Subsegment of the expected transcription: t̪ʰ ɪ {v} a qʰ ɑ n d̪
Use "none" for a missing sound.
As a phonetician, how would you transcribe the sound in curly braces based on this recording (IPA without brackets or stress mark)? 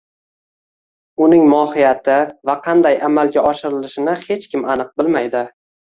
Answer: v